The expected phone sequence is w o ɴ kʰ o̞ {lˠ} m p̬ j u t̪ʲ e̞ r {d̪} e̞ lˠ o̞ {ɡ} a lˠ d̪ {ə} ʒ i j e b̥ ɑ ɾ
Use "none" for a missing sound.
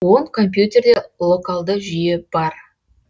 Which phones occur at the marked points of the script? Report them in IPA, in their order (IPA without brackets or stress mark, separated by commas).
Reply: none, d̪, k, ə